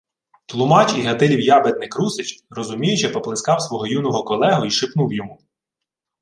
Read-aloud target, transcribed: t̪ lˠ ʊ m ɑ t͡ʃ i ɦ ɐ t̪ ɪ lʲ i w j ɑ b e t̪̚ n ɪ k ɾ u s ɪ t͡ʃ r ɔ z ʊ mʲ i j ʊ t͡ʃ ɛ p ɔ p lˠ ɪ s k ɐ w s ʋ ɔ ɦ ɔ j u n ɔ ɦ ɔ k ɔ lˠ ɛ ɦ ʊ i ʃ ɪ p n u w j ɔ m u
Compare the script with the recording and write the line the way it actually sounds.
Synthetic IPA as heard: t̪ lˠ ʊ m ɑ t͡ʃ i ɦ ɐ t̪ ɪ lʲ i w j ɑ b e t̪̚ n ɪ k ɾ u s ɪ t͡ʃ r ɔ z ʊ mʲ i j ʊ t͡ʃ ɛ p ɔ p lˠ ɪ s k ɑ w s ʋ ɔ ɦ ɔ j u n ɔ ɦ ɔ k ɔ lˠ ɛ ɦ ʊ i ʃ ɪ p n u w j ɔ m u